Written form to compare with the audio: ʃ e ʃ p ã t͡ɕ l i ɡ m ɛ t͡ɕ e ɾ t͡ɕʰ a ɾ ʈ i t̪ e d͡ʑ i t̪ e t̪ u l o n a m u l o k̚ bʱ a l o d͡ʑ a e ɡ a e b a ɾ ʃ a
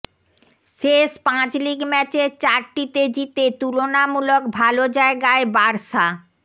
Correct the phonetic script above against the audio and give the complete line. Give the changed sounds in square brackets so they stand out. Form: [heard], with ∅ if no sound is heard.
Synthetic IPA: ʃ e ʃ p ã t͡ɕ l i ɡ m ɛ t͡ɕ e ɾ [t͡ɕ] a ɾ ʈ i t̪ e d͡ʑ i t̪ e t̪ u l o n a m u l o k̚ bʱ a l o d͡ʑ a e ɡ a e b a ɾ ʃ a

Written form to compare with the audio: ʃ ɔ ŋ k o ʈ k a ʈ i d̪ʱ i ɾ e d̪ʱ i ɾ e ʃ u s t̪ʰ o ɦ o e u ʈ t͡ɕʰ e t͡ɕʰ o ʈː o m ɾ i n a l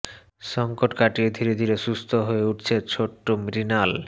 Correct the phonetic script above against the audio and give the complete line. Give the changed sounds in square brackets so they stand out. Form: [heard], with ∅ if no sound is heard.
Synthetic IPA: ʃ ɔ ŋ k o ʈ k a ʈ i d̪ʱ i ɾ e d̪ʱ i ɾ e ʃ u s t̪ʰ o ɦ o e u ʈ t͡ɕʰ e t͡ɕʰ o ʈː o m ɾ i n a l

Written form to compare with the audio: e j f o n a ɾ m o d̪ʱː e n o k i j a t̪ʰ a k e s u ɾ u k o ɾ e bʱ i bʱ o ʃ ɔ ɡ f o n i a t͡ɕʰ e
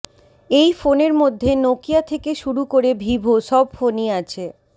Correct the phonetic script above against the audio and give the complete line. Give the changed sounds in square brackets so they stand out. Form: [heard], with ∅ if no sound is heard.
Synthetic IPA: e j f o n [e] ɾ m o d̪ʱː e n o k i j a t̪ʰ [e] k e [ʃ] u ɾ u k o ɾ e bʱ i bʱ o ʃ ɔ [b] f o n i a t͡ɕʰ e

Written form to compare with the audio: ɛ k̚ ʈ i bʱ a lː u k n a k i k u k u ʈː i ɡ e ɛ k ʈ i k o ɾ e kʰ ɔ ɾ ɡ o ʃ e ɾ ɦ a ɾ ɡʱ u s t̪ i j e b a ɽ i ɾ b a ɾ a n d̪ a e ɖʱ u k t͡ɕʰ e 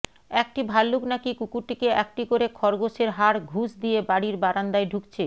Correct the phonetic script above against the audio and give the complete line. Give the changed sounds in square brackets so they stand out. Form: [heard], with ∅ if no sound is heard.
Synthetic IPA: ɛ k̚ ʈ i bʱ a lː u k n a k i k u k u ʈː i [k] e ɛ k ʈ i k o ɾ e kʰ ɔ ɾ ɡ o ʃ e ɾ ɦ a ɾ ɡʱ u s [d̪] i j e b a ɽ i ɾ b a ɾ a n d̪ a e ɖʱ u k t͡ɕʰ e

